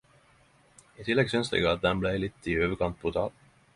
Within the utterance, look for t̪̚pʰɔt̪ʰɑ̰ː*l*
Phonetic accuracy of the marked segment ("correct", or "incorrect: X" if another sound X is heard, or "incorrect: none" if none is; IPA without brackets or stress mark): correct